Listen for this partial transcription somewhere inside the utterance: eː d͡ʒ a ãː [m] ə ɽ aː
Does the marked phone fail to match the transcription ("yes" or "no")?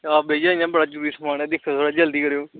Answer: yes